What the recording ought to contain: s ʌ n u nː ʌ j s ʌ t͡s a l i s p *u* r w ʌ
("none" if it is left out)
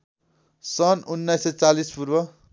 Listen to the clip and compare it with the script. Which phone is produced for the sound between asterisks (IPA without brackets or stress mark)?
u